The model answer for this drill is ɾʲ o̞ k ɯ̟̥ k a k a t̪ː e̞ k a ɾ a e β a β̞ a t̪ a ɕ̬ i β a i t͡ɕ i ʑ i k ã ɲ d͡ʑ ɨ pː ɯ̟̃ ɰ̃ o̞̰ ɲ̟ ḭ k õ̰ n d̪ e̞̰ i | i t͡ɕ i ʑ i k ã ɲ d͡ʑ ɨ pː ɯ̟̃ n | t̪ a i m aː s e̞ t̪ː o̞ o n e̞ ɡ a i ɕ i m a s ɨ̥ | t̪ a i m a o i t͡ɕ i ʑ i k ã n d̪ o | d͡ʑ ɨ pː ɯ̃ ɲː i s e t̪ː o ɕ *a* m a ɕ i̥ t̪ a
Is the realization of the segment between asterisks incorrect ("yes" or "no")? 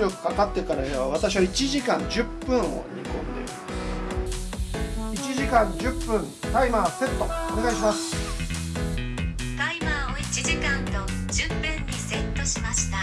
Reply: yes